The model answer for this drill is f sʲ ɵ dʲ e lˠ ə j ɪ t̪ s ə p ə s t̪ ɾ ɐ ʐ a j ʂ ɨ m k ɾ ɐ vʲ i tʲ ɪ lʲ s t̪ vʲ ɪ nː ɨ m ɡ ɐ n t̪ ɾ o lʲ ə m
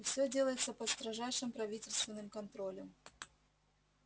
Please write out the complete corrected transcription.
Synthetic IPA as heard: f sʲ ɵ dʲ e lˠ ə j ɪ t̪ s ə p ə s t̪ ɾ ɐ ʐ a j ʂ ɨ m p ɾ ɐ vʲ i tʲ ɪ lʲ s t̪ vʲ ɪ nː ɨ m k ɐ n t̪ ɾ o lʲ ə m